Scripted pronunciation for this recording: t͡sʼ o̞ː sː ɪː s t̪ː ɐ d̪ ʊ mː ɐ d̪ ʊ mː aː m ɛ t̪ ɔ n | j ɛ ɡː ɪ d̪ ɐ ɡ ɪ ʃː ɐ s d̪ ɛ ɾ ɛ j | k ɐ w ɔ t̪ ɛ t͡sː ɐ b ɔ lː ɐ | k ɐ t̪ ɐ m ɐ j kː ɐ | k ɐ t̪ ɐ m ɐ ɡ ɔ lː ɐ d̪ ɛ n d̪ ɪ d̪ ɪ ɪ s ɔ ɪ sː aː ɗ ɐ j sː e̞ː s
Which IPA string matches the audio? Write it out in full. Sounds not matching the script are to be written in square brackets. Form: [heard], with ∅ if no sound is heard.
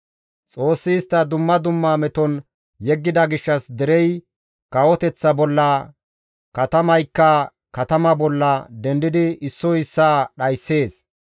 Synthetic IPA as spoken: t͡sʼ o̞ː sː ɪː s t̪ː ɐ d̪ ʊ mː ɐ d̪ ʊ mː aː m ɛ t̪ ɔ n | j ɛ ɡː ɪ d̪ ɐ ɡ ɪ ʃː ɐ s d̪ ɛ ɾ ɛ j | k ɐ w ɔ t̪ ɛ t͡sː ɐ b ɔ lː ɐ | k ɐ t̪ ɐ m ɐ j kː ɐ | k ɐ t̪ ɐ m ɐ [b] ɔ lː ɐ d̪ ɛ n d̪ ɪ d̪ ɪ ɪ [sː] ɔ ɪ sː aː ɗ ɐ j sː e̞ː s